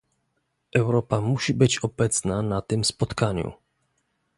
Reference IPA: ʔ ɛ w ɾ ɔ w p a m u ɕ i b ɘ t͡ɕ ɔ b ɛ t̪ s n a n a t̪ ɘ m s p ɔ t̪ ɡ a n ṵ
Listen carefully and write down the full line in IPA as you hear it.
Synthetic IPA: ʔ ɛ w ɾ ɔ p a m u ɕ i b ɘ t͡ɕ ɔ b ɛ t̪ s n a n a t̪ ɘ m s p ɔ t̪ k a ɲ ṵ